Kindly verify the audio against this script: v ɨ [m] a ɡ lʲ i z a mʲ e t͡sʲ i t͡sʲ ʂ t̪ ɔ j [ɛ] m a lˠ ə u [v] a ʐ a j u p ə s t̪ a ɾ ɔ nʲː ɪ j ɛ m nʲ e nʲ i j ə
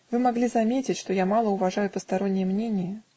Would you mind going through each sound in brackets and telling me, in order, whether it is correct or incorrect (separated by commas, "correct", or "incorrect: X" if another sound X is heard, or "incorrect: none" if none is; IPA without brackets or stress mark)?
correct, incorrect: a, correct